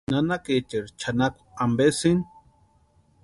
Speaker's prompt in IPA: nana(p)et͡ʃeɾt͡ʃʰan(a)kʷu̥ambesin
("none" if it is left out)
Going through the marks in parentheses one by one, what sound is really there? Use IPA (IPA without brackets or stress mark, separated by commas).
k, a